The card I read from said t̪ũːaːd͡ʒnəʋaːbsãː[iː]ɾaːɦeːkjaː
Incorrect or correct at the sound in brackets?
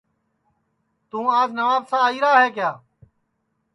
correct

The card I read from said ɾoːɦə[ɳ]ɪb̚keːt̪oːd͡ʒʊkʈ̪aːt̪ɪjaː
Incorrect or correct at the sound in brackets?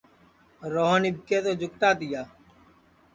incorrect: n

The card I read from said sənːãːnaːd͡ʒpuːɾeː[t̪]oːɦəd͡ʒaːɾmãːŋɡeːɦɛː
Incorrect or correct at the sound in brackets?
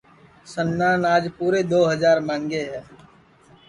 incorrect: d̪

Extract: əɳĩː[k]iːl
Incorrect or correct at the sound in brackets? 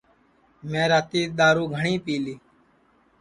incorrect: p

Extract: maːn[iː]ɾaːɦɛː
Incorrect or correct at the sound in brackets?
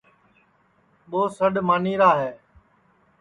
correct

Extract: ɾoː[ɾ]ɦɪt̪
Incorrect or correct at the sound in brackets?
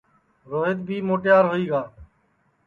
incorrect: none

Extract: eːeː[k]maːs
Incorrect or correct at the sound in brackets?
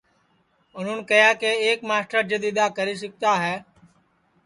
correct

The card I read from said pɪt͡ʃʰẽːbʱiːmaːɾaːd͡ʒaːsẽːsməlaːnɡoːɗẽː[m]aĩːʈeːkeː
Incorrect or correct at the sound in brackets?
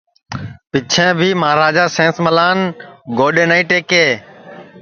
incorrect: n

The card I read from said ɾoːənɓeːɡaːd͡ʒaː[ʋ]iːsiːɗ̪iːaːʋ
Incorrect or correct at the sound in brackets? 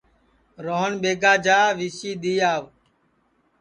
correct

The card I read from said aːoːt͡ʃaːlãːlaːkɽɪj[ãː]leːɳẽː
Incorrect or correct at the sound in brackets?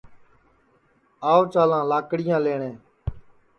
correct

